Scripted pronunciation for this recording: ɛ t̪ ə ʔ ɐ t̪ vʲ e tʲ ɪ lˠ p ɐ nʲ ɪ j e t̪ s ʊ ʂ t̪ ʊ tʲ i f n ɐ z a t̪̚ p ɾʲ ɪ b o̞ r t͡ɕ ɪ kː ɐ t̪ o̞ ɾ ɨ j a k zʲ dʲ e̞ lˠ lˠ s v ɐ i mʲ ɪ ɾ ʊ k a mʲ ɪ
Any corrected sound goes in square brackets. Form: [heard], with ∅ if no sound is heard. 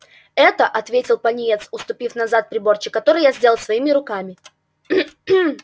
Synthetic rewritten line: ɛ t̪ ə ʔ ɐ t̪ vʲ e tʲ ɪ lˠ p ɐ nʲ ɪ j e t̪ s ʊ [s] t̪ ʊ [pʲ] i f n ɐ z a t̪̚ p ɾʲ ɪ b o̞ r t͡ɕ ɪ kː ɐ t̪ o̞ ɾ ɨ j a [∅] zʲ dʲ e̞ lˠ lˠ s v ɐ i mʲ ɪ ɾ ʊ k a mʲ ɪ